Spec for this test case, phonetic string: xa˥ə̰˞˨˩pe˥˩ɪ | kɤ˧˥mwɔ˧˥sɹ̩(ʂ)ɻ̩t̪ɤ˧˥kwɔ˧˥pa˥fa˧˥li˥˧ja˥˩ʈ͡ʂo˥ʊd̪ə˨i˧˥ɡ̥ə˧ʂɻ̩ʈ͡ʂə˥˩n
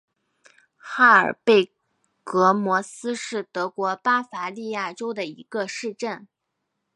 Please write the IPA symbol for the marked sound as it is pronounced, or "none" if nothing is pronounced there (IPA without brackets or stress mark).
ʂ